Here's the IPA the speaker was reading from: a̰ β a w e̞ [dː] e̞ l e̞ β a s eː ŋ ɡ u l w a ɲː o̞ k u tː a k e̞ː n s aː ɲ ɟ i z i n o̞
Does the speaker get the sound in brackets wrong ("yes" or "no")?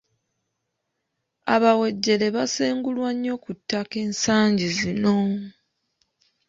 yes